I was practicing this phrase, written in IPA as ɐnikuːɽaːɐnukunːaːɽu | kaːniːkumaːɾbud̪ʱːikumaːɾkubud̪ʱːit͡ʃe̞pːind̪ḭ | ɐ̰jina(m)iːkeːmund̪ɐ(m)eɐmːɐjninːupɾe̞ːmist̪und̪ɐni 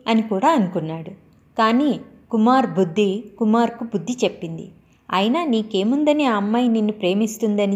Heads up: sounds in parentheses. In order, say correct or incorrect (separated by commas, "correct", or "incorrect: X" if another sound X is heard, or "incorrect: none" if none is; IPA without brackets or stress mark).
incorrect: n, incorrect: n